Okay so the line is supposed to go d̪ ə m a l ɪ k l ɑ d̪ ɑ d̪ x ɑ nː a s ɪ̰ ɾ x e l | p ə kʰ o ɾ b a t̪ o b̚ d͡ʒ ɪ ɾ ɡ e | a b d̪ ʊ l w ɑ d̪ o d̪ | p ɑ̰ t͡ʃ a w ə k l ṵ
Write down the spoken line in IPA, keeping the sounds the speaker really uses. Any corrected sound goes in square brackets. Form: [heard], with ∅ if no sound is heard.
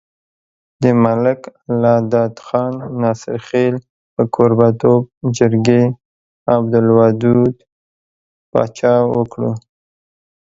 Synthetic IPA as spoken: d̪ ə m a l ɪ k l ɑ d̪ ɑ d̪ x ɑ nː [ɑ] s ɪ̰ ɾ x e l | p ə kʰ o ɾ b a t̪ o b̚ d͡ʒ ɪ ɾ ɡ e | a b d̪ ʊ l w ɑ d̪ [u] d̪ | p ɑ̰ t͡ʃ [ɑ] w ə k [ɽ] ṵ